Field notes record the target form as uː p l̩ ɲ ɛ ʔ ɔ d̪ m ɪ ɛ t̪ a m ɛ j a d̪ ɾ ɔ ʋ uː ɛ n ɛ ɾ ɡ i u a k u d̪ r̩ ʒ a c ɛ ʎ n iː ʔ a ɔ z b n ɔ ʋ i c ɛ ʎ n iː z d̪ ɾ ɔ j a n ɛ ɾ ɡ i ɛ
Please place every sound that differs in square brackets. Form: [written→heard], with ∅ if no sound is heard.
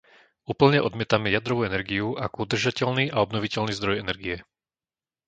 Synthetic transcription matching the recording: uː p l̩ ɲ ɛ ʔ ɔ d̪ m ɪ ɛ t̪ a m ɛ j a d̪ ɾ ɔ ʋ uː ɛ n ɛ ɾ ɡ i u a k u d̪ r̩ ʒ a c ɛ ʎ n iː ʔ a ɔ [z→∅] b n ɔ ʋ i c ɛ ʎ n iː z d̪ ɾ ɔ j [a→ɛ] n ɛ ɾ ɡ i ɛ